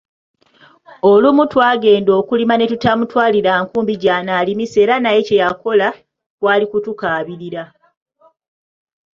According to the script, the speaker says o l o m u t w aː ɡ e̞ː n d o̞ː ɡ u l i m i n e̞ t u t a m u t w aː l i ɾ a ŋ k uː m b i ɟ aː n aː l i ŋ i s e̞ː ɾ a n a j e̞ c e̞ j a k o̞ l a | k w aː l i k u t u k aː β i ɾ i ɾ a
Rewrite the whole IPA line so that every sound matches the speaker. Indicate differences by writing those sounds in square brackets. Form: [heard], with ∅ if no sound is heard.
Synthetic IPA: o l [u] m u t w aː ɡ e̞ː n d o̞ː [k] u l i m [a] n e̞ t u t a m u t w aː l i ɾ a ŋ k uː m b i ɟ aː n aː l i [m] i s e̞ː ɾ a n a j e̞ c e̞ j a k o̞ l a | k w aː l i k u t u k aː β i ɾ i ɾ a